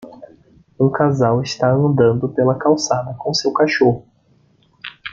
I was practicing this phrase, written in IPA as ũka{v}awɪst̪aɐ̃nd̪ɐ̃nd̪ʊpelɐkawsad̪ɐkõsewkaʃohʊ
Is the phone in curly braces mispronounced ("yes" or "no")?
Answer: yes